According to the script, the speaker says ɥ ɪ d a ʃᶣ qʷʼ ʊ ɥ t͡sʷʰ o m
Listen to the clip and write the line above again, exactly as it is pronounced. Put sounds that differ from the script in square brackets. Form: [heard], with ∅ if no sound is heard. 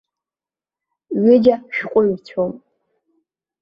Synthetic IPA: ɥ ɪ [d͡ʒ] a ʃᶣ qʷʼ ʊ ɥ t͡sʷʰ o m